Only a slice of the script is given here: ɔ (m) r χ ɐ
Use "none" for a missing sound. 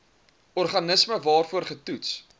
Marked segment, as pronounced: none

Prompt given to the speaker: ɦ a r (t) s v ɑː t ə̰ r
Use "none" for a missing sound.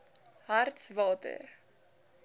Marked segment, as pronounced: t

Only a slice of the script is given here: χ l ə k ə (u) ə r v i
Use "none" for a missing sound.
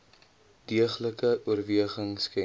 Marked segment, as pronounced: u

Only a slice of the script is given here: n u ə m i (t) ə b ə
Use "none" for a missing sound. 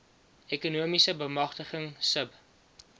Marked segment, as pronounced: s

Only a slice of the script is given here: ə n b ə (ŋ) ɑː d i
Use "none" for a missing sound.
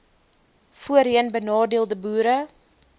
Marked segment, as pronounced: n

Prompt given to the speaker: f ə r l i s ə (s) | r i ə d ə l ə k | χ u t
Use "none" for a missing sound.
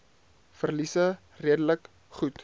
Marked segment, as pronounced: none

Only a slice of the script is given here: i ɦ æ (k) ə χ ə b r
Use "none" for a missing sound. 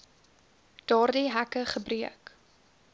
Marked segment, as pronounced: k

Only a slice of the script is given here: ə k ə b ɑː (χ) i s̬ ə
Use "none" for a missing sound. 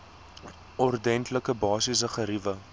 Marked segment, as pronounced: s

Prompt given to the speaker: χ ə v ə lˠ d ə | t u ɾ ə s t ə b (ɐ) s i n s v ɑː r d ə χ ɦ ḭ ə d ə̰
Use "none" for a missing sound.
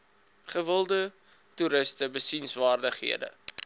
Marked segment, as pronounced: ə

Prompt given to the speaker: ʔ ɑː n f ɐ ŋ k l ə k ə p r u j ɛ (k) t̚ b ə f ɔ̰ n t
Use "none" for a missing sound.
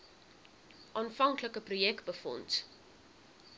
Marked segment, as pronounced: k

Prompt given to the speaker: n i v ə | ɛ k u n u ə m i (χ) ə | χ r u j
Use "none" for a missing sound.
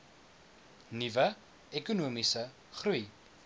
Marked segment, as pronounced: s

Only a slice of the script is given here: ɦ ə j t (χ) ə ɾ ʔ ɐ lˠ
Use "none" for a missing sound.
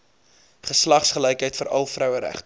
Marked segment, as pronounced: f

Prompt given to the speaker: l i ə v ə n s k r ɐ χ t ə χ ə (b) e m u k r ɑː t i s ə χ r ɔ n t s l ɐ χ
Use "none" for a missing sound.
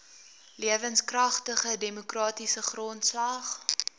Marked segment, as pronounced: d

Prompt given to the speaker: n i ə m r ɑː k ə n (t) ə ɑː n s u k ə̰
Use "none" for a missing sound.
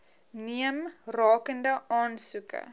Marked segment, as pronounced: d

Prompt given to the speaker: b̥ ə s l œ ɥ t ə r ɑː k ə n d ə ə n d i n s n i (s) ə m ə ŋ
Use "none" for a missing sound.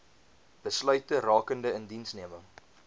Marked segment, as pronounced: none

